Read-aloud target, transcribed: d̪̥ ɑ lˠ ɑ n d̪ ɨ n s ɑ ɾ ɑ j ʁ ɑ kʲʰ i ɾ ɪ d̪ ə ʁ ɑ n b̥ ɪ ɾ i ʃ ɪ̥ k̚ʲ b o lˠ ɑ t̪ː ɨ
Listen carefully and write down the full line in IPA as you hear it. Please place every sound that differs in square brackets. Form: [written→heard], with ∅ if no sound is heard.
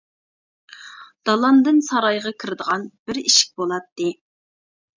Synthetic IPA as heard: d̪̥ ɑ lˠ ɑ n d̪ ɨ n s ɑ ɾ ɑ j ʁ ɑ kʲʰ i ɾ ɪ d̪ ə ʁ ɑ n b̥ ɪ ɾ i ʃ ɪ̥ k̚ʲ b o lˠ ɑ t̪ː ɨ

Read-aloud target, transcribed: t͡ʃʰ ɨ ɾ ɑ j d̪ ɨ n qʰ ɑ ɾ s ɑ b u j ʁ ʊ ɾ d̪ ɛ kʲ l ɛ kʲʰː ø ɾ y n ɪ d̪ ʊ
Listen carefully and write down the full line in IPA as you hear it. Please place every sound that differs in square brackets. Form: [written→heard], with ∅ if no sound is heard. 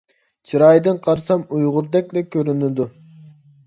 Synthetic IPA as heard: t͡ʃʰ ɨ ɾ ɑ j d̪ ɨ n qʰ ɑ ɾ s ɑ [b→m] u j ʁ ʊ ɾ d̪ ɛ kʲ l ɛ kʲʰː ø ɾ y n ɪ d̪ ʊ

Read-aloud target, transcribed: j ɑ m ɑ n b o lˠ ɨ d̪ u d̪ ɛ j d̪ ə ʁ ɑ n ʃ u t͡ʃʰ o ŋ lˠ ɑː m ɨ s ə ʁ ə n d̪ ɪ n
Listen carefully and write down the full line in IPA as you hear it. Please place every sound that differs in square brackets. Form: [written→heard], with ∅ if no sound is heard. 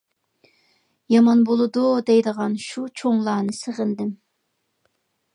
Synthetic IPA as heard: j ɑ m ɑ n b o lˠ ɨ d̪ u d̪ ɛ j d̪ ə ʁ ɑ n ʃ u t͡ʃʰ o ŋ lˠ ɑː [m→n] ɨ s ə ʁ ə n d̪ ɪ [n→m]

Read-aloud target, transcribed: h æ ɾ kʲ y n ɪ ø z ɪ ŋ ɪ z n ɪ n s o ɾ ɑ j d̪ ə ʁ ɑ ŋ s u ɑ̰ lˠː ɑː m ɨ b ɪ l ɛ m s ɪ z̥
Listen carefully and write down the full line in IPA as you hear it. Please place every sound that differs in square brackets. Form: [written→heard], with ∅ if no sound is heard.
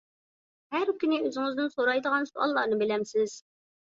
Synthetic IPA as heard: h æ ɾ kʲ y n ɪ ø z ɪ ŋ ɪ z n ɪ n s o ɾ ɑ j d̪ ə ʁ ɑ [ŋ→n] s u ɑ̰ lˠː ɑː [m→n] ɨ b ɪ l ɛ m s ɪ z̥

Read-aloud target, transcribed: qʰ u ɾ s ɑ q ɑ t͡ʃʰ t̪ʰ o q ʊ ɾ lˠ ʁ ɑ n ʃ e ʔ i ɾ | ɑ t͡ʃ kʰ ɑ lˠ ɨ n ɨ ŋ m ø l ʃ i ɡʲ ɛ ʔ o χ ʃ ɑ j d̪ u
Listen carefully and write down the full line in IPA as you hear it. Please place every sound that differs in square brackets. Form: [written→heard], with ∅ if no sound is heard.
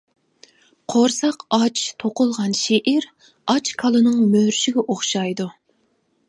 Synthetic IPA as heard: qʰ [u→o] ɾ s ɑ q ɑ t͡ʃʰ t̪ʰ o q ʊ [ɾ→∅] lˠ ʁ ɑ n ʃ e ʔ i ɾ | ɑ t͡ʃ kʰ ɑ lˠ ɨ n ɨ ŋ m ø [l→ɾ] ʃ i ɡʲ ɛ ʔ o χ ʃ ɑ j d̪ u

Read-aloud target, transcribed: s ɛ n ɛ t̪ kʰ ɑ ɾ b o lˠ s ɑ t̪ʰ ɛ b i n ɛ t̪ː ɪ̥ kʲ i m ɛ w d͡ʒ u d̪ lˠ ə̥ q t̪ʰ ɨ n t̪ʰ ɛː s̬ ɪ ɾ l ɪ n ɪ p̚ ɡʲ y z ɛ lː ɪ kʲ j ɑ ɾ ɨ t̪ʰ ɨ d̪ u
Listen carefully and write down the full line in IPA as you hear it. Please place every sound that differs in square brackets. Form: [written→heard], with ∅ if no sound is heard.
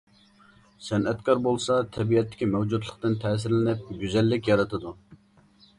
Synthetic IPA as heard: s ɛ n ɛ t̪ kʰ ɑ ɾ b o lˠ s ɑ t̪ʰ ɛ b i [n→∅] ɛ t̪ː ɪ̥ kʲ i m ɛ w d͡ʒ u d̪ lˠ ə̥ q [t̪ʰ→t̪] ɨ n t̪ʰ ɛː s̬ ɪ ɾ l ɪ n ɪ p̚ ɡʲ y z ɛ lː ɪ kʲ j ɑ ɾ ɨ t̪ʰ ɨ d̪ u

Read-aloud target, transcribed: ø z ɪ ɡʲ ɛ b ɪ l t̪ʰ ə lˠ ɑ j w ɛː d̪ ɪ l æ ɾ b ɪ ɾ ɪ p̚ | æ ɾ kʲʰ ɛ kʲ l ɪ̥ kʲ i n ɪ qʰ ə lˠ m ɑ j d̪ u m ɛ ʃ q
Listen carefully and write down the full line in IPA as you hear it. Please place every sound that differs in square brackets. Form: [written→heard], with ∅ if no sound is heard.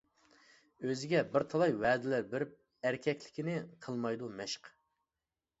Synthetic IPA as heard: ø z ɪ ɡʲ ɛ b ɪ [l→ɾ] t̪ʰ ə lˠ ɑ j w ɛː d̪ ɪ l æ ɾ b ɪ ɾ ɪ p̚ | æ ɾ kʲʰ ɛ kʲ l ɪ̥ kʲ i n ɪ qʰ ə lˠ m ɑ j d̪ u m ɛ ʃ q

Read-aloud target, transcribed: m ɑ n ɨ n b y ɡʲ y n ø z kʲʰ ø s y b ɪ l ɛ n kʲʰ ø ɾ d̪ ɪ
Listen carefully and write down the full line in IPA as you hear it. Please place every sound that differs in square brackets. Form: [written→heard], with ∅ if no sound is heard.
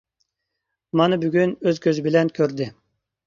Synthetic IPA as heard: m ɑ n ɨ [n→∅] b y ɡʲ y n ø z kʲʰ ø [s→z] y b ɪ l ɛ n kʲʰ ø ɾ d̪ ɪ

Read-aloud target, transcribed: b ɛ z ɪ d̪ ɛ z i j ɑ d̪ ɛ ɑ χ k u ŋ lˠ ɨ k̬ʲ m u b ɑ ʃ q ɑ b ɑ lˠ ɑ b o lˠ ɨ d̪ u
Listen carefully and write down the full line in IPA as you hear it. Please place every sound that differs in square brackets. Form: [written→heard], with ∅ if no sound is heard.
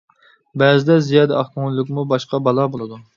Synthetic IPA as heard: b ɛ z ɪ d̪ ɛ z i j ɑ d̪ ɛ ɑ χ k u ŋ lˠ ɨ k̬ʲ m u b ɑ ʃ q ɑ b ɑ lˠ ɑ b o lˠ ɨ d̪ u

